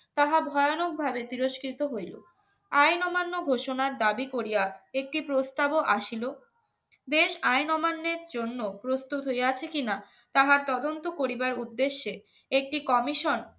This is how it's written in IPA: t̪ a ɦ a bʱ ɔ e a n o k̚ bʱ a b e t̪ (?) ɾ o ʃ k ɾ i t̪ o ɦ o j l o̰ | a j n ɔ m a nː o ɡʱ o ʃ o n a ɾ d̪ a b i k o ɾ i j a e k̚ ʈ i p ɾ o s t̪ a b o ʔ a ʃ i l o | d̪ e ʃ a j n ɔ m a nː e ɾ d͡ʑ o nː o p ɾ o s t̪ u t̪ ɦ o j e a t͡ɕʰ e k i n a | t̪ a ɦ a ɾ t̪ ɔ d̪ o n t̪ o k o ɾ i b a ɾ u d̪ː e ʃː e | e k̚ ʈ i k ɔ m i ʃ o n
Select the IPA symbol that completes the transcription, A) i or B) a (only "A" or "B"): A